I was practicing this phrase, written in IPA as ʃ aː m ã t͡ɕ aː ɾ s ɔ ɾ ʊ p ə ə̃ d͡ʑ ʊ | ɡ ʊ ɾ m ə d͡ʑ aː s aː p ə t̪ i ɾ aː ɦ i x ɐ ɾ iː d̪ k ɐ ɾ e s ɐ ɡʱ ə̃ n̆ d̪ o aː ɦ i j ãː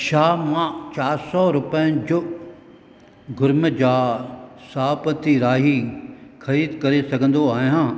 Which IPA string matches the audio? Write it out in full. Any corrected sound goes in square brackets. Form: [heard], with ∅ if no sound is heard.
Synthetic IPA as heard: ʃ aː m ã t͡ɕ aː ɾ s ɔ ɾ ʊ p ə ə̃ d͡ʑ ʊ | ɡ ʊ ɾ m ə d͡ʑ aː s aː p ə t̪ i ɾ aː ɦ i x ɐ ɾ iː d̪ k ɐ ɾ e s ɐ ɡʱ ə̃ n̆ d̪ o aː ɦ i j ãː